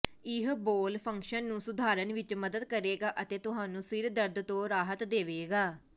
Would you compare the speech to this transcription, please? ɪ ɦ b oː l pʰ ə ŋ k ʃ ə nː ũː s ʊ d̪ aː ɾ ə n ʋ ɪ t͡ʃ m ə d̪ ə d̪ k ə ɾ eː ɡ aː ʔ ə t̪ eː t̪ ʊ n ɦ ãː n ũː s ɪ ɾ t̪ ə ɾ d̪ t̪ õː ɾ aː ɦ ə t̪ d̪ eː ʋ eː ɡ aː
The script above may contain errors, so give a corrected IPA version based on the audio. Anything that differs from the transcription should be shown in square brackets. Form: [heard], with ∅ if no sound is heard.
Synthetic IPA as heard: ɪ ɦ b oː l pʰ ə ŋ k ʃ ə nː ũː s ʊ d̪ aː ɾ ə n ʋ ɪ t͡ʃ m ə d̪ ə d̪ k ə ɾ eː ɡ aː ʔ ə t̪ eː t̪ ʊ [∅] ɦ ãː n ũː s ɪ ɾ [d̪] ə ɾ d̪ t̪ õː ɾ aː ɦ ə t̪ d̪ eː ʋ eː ɡ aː